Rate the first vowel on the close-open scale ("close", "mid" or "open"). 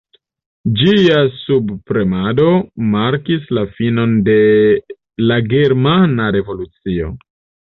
close